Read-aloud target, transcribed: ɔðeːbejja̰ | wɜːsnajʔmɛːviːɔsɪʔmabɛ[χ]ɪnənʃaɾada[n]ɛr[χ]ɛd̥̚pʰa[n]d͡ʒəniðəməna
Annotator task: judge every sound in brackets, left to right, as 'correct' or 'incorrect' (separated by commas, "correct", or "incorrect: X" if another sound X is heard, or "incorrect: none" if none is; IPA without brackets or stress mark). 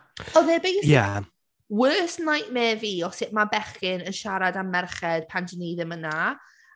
correct, incorrect: m, correct, correct